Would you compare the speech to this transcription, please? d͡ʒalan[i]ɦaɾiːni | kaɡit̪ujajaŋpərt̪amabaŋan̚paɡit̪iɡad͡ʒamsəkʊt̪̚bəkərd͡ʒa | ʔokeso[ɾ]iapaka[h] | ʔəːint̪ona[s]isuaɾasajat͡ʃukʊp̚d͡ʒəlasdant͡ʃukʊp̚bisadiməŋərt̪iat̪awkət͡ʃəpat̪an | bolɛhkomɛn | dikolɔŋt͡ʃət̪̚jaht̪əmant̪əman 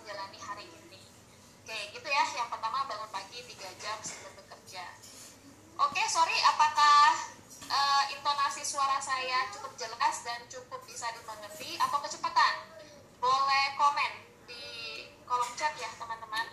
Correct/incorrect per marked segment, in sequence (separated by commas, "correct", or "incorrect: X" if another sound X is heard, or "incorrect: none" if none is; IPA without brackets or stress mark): correct, correct, correct, correct